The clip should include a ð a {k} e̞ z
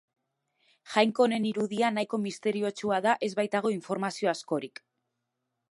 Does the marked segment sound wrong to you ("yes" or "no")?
yes